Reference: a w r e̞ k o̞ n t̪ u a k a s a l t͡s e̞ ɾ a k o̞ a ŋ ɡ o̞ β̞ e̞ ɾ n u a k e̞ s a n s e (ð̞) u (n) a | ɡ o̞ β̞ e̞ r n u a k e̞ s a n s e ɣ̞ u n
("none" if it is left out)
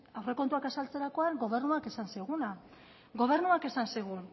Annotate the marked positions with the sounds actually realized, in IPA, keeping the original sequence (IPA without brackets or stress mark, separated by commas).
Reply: ɣ̞, n